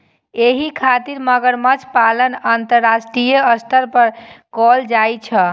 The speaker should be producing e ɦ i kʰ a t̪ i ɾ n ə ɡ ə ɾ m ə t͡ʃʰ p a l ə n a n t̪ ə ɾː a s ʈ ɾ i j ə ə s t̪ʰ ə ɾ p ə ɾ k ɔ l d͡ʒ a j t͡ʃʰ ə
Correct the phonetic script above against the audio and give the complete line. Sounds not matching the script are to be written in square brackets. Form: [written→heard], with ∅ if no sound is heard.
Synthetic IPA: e ɦ i kʰ a t̪ i ɾ [n→m] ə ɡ ə ɾ m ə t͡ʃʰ p a l ə n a n t̪ ə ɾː a s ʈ ɾ i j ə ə s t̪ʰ ə ɾ p ə ɾ k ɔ l d͡ʒ a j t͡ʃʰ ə